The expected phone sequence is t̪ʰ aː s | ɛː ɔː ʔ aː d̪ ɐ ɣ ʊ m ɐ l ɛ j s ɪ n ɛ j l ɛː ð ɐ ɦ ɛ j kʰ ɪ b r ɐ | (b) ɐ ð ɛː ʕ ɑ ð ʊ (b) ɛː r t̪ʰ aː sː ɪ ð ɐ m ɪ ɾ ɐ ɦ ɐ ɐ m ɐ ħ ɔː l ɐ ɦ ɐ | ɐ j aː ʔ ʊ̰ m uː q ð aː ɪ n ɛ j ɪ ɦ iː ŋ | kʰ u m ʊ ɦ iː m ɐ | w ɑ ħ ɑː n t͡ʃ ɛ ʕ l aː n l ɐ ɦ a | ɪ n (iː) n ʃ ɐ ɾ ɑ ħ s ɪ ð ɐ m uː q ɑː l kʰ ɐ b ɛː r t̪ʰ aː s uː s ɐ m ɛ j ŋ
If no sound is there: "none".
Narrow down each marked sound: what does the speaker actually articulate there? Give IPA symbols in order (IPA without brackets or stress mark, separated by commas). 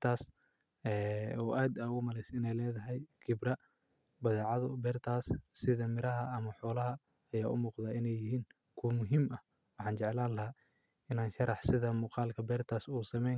b, b, aː